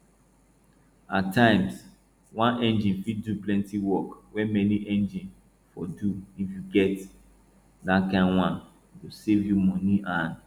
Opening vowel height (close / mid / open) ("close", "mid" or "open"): open